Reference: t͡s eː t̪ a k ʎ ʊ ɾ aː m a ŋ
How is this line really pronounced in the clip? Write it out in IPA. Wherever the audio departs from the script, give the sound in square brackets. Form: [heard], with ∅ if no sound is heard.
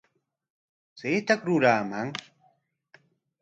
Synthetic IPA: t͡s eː t̪ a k [ɾ] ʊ ɾ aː m a ŋ